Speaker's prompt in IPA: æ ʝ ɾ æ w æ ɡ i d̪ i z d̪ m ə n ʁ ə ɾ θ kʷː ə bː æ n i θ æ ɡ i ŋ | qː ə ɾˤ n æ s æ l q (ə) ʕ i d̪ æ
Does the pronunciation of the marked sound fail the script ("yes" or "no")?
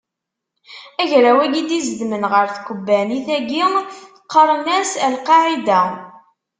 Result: yes